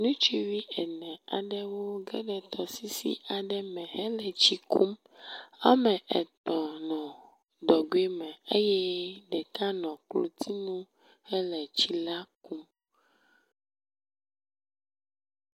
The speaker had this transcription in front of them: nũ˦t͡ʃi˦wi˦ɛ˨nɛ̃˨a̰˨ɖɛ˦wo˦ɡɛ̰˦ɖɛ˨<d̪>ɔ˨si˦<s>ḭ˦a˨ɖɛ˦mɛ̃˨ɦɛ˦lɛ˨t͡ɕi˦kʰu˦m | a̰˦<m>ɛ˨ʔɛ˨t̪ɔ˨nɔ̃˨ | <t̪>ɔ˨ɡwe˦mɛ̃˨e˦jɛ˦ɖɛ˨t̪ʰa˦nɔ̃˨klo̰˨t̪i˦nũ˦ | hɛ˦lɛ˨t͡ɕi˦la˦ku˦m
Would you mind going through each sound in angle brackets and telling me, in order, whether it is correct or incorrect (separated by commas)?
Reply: incorrect, correct, correct, incorrect